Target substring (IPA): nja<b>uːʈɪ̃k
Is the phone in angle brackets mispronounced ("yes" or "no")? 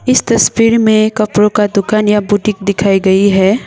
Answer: no